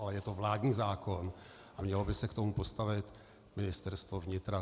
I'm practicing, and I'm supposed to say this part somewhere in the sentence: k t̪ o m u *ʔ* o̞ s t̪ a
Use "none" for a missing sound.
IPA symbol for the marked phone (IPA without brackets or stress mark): p